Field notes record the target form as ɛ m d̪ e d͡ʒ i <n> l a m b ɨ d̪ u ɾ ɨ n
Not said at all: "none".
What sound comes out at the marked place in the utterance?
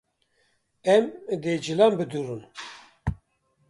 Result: none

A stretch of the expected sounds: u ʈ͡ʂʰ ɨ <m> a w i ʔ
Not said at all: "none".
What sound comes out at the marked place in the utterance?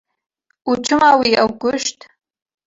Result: m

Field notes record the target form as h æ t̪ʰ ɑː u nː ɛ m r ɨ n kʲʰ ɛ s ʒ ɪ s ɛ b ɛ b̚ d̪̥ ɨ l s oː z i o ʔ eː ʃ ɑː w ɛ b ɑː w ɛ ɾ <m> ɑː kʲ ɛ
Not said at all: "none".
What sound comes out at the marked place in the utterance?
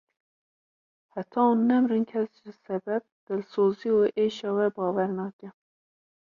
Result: n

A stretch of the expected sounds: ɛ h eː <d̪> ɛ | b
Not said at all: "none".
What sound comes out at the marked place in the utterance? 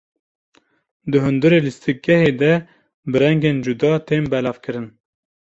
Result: d̪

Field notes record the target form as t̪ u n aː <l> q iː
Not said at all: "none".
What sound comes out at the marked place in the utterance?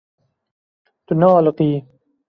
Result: l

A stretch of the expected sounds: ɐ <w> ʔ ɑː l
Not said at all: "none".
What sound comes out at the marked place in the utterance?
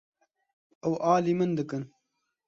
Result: w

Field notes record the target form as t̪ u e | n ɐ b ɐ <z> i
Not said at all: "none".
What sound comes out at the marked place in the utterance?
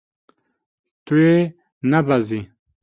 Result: z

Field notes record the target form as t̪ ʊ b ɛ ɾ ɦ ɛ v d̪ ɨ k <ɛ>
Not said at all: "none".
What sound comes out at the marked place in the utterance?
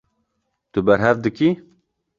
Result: i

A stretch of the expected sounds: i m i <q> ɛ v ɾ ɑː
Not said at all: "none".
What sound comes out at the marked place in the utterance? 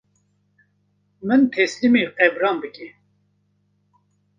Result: q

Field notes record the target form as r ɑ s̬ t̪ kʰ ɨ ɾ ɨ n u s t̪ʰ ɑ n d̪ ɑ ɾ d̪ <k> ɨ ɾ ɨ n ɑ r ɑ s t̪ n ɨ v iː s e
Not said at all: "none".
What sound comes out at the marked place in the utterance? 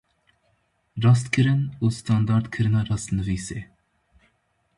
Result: kʰ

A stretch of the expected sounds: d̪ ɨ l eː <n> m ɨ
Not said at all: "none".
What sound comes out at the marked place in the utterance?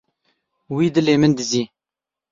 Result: none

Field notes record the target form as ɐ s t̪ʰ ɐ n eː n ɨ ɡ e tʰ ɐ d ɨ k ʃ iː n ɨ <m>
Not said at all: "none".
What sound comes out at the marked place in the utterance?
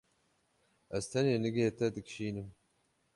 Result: m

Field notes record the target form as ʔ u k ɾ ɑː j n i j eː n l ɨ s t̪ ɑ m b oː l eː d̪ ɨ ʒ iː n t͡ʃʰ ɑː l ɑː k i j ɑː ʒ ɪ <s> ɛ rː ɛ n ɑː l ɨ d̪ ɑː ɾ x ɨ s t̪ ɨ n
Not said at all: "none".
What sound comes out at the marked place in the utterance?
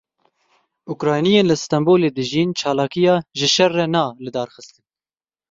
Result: ʃ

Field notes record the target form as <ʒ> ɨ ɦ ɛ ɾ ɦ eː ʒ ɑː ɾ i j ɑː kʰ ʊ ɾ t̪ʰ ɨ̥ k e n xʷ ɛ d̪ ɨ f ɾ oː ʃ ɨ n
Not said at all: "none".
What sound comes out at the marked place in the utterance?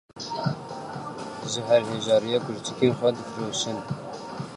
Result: ʒ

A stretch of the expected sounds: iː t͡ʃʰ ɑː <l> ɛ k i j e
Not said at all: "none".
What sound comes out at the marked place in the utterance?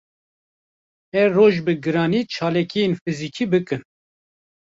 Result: l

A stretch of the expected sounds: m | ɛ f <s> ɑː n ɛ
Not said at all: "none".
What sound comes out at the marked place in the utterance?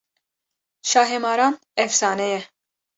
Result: s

